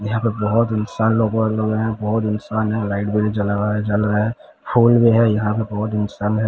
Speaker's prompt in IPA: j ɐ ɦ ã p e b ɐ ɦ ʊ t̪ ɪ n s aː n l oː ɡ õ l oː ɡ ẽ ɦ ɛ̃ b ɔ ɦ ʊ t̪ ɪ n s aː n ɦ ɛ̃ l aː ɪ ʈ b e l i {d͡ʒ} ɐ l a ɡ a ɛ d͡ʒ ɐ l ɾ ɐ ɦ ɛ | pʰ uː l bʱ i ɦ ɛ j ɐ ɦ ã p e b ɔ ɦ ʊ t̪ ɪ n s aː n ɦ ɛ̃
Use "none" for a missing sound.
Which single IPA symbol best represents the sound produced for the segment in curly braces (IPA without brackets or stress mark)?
d͡ʒ